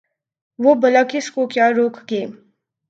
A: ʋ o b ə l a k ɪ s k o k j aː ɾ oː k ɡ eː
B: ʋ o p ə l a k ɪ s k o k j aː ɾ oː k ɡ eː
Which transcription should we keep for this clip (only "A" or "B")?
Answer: A